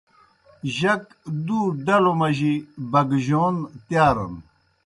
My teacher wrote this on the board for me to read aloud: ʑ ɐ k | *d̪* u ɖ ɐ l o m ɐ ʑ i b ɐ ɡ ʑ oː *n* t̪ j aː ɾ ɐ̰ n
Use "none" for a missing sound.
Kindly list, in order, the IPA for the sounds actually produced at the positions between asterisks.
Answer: d̪, n

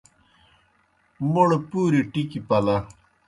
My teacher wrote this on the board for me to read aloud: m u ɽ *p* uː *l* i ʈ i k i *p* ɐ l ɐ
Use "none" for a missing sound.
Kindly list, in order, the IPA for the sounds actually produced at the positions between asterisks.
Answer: p, ɾ, p

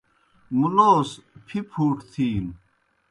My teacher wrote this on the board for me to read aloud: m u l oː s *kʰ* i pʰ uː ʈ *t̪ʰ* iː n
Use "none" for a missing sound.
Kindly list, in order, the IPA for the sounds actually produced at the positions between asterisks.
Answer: pʰ, t̪ʰ

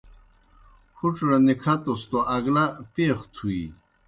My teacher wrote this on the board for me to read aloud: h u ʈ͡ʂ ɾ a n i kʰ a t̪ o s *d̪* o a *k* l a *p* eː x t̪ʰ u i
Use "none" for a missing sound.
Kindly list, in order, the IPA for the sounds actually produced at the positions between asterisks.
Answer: t̪, ɡ, p

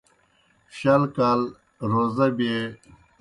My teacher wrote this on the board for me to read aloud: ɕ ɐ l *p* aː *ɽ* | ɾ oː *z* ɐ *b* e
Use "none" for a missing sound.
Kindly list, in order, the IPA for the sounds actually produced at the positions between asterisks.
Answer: k, l, z, b

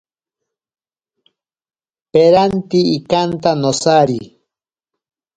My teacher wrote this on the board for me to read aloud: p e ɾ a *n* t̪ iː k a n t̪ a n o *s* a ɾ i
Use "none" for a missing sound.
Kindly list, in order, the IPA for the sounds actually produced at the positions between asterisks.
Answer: n, s

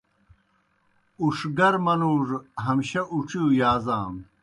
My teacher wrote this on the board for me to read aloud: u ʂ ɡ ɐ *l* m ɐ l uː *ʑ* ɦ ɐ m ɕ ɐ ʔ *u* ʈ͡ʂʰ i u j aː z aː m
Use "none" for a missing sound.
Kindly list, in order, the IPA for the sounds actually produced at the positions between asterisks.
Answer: ɾ, ʐ, u

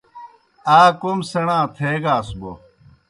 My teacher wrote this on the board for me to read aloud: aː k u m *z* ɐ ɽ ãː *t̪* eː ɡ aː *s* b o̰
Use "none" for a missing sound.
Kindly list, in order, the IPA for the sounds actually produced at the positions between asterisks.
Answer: s, t̪ʰ, s

